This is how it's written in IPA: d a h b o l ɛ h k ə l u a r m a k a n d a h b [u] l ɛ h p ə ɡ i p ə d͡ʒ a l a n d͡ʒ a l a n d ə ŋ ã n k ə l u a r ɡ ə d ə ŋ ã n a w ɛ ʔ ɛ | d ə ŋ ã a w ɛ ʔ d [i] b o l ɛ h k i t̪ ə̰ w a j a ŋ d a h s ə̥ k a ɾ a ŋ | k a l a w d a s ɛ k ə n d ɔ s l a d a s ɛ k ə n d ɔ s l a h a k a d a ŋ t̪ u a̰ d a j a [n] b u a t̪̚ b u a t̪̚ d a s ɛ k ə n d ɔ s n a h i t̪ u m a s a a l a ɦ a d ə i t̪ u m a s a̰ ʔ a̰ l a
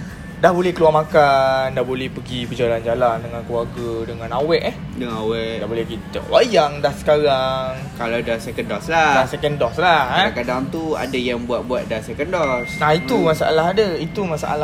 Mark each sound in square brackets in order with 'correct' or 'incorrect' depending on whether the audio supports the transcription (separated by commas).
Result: incorrect, incorrect, incorrect